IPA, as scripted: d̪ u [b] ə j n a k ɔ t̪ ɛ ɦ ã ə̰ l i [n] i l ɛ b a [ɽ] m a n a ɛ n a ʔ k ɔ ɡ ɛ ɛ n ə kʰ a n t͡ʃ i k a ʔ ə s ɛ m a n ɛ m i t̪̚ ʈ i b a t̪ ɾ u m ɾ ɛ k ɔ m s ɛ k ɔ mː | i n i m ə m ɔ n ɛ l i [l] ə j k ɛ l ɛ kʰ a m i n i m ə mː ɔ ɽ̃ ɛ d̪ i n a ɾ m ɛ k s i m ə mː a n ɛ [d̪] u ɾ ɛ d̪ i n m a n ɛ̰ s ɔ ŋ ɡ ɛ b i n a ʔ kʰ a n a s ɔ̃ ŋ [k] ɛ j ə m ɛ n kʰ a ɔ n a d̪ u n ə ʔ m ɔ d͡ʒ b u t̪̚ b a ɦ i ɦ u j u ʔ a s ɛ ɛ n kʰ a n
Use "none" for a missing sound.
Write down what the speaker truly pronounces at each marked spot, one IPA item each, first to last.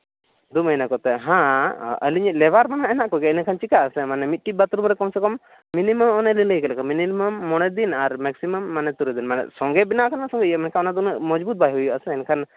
m, ɲ, ɾ, l, t̪, ɡ

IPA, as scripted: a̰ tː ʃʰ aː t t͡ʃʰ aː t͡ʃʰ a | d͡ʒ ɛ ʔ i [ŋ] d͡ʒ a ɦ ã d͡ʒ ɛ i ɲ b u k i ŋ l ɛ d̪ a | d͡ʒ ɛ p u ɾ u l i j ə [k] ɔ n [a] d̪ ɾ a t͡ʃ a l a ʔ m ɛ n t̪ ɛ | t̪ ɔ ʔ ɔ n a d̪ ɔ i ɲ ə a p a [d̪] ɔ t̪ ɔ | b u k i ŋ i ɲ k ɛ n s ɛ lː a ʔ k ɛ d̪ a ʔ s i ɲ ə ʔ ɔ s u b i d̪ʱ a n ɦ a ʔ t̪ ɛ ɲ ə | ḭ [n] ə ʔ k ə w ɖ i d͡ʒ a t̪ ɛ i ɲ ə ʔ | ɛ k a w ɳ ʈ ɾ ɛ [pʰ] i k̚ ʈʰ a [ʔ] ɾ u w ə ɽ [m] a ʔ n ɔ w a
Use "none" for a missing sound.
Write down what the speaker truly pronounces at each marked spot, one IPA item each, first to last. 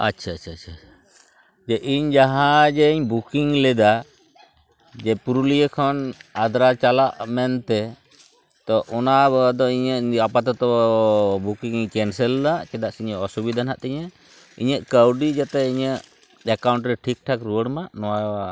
ɲ, kʰ, a, t̪, ɲ, ʈʰ, k, m

